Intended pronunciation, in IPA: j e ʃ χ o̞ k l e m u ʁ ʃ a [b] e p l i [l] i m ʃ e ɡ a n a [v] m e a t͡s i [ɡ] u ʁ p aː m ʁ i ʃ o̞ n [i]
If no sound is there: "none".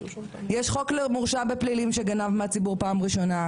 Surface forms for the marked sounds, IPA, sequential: b, l, v, b, a

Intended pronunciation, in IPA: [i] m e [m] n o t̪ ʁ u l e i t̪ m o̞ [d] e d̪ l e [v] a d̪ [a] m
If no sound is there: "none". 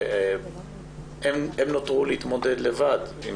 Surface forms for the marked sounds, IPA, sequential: e, m, d, v, i

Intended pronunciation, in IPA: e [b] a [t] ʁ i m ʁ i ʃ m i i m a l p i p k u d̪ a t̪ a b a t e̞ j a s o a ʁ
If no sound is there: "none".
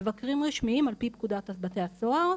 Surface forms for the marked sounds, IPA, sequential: v, k

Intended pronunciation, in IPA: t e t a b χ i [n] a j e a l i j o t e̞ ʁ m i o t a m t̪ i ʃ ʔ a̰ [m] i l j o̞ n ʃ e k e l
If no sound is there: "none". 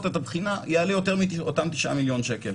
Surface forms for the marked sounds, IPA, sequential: n, m

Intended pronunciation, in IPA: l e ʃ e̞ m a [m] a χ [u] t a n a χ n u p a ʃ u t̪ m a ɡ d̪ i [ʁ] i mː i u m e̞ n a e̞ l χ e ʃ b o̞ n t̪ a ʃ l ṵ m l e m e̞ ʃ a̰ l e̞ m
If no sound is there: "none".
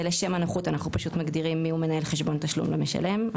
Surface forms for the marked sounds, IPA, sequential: n, u, ʁ

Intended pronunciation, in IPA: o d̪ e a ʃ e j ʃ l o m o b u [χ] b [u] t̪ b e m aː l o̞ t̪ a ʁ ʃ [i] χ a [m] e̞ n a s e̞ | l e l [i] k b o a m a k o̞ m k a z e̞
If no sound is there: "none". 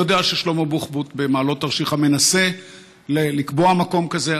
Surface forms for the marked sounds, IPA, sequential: χ, u, i, m, i

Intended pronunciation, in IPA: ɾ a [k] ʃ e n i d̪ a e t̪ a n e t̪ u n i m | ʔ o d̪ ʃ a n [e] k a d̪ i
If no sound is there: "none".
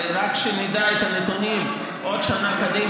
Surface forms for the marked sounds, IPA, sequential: k, a

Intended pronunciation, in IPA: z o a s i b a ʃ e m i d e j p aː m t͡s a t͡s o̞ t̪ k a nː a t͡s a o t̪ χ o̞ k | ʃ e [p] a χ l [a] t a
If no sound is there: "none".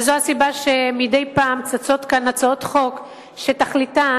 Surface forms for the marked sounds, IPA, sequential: t, i

